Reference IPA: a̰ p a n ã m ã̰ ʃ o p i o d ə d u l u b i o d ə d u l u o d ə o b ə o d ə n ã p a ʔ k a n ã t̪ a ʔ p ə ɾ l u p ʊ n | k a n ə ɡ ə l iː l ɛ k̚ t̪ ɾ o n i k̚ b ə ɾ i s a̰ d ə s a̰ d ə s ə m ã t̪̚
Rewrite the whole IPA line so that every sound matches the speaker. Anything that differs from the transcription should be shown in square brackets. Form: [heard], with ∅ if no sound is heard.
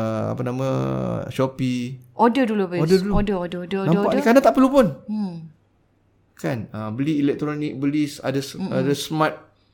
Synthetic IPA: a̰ p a n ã m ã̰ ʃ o p i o d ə d u l u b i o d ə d u l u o d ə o [d] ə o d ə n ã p a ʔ k a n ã t̪ a ʔ p ə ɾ l u p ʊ n | k a n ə [b] ə l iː l ɛ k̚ t̪ ɾ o n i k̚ b ə [l] i s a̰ d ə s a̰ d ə s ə m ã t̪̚